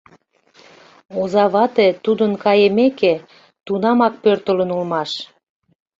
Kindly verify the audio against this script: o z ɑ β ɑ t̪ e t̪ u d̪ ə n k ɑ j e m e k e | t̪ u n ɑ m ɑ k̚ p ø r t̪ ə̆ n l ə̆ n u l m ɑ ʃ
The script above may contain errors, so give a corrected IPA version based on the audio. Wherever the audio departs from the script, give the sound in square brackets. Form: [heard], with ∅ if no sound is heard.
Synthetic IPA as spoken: o z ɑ β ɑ t̪ e t̪ u d̪ ə n k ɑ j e m e k e | t̪ u n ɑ m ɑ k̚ p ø r t̪ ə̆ [∅] l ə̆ n u l m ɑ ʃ